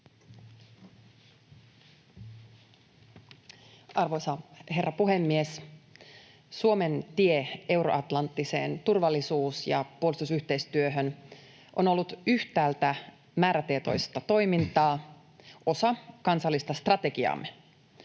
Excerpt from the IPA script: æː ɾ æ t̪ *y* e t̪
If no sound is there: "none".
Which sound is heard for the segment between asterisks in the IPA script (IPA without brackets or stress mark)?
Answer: i